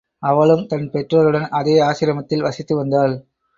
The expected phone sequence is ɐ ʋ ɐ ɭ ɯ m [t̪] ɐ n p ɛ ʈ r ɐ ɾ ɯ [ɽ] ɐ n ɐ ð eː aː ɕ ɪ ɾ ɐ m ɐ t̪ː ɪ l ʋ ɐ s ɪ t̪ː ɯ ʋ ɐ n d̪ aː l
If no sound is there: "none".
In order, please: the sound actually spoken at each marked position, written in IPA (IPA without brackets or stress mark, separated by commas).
t̪, ɽ